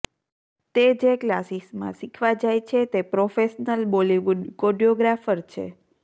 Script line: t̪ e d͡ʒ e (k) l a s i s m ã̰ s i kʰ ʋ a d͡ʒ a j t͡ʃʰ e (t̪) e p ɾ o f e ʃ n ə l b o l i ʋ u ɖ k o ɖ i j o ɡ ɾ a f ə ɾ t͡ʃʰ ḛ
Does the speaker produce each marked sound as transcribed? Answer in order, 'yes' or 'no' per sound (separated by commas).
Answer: yes, yes